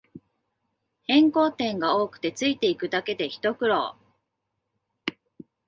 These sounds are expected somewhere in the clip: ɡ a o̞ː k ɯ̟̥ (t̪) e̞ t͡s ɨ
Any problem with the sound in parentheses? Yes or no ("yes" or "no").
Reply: no